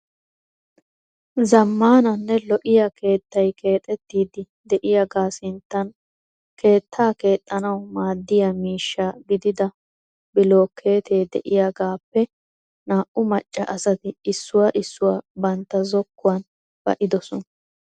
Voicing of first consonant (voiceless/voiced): voiced